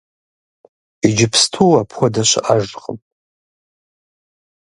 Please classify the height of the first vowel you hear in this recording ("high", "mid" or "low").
high